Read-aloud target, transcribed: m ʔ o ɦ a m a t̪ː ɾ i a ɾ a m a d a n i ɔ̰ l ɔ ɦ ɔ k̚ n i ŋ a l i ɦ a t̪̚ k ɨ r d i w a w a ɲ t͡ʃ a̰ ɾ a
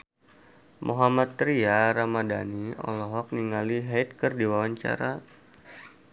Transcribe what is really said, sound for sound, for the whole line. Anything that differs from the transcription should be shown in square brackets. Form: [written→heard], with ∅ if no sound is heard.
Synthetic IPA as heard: m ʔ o ɦ a m a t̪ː ɾ i a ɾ a m a d a n i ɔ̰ l ɔ ɦ ɔ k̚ n i ŋ a l i ɦ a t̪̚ k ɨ r d i w a w a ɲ t͡ʃ a̰ ɾ a